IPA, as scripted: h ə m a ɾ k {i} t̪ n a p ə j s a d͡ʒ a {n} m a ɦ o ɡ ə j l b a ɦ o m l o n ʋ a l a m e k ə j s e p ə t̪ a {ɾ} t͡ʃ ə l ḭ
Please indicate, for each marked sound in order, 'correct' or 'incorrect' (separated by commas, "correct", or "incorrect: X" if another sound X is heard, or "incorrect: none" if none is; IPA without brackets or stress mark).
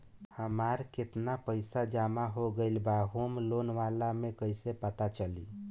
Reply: incorrect: e, incorrect: none, incorrect: none